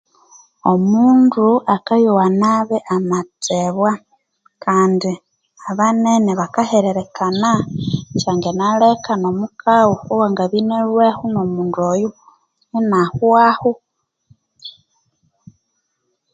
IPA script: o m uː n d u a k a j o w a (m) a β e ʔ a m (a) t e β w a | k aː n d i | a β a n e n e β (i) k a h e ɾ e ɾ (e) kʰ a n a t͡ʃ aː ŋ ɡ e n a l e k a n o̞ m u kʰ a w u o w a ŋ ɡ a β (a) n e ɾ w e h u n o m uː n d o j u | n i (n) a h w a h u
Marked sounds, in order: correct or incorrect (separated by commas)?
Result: incorrect, correct, incorrect, correct, incorrect, correct